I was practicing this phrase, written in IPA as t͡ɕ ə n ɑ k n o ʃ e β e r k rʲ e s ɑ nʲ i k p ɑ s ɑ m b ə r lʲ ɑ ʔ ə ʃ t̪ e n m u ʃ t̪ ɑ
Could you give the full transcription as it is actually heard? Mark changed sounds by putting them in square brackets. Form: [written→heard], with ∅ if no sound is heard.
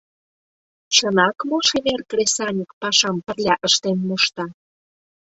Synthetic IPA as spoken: t͡ɕ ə n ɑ k [n→m] o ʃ e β e r k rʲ e s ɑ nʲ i k p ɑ [s→ʃ] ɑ m [b→p] ə r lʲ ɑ ʔ ə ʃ t̪ e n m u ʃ t̪ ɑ